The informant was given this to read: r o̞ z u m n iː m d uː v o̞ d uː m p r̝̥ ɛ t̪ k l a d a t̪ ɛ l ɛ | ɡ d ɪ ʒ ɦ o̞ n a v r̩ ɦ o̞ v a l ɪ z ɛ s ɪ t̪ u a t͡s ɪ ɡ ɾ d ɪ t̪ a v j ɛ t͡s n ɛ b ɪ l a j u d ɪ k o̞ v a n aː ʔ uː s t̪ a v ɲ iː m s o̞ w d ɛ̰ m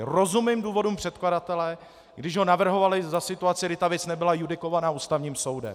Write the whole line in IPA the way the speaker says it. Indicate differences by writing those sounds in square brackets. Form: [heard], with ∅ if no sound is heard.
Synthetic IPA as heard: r o̞ z u m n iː m d uː v o̞ d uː m p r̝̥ ɛ t̪ k l a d a t̪ ɛ l ɛ | ɡ d ɪ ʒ ɦ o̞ n a v r̩ ɦ o̞ v a l ɪ z [a] s ɪ t̪ u a t͡s ɪ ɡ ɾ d ɪ t̪ a v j ɛ t͡s n ɛ b ɪ l a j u d ɪ k o̞ v a n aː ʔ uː s t̪ a v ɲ iː m s o̞ w d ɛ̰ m